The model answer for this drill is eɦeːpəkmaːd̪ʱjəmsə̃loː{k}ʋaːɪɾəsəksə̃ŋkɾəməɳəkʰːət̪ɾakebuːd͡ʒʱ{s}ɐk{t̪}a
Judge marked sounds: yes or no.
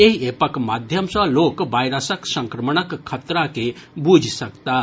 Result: yes, yes, yes

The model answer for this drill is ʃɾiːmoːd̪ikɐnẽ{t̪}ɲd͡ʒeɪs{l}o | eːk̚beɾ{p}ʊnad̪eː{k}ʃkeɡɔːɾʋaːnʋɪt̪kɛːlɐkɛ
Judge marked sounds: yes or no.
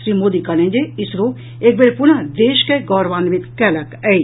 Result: no, no, yes, no

